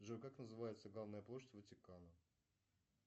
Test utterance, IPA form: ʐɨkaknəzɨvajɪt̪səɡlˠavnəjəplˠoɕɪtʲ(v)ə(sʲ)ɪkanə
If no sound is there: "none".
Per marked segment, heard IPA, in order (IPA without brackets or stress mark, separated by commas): v, tʲ